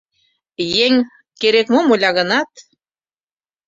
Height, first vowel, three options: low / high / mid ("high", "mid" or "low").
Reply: mid